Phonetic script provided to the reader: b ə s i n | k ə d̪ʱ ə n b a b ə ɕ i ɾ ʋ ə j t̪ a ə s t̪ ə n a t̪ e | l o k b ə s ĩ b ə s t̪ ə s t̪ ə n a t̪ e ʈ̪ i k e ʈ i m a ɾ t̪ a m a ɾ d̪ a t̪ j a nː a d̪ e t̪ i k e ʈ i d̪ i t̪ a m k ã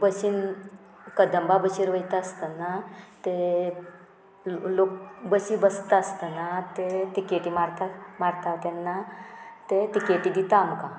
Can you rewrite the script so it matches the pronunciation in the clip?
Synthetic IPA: b ə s i n | k ə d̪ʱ ə m b a b ə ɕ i ɾ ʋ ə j t̪ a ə s t̪ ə n a t̪ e | l o k b ə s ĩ b ə s t̪ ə s t̪ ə n a t̪ e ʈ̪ i k e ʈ i m a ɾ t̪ a m a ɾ t̪ a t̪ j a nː a t̪ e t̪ i k e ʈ i d̪ i t̪ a m k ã